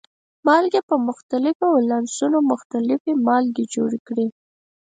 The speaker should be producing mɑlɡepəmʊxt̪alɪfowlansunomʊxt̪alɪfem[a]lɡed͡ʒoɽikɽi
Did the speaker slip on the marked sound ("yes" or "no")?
yes